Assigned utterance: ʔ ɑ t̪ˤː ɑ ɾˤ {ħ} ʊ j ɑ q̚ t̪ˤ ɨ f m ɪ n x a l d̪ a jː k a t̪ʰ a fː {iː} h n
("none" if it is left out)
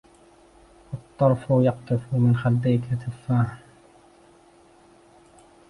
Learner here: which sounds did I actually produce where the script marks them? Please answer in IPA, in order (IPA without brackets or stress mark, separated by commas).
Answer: f, aː